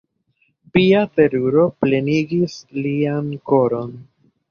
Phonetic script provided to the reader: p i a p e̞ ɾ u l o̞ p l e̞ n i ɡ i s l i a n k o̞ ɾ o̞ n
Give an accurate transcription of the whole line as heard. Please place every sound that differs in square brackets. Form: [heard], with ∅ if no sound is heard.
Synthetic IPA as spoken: p i a [t] e̞ ɾ u [ɾ] o̞ p l e̞ n i ɡ i s l i a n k o̞ ɾ o̞ n